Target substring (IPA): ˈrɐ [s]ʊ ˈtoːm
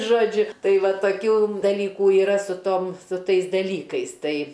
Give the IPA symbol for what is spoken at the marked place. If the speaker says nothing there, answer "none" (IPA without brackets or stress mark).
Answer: s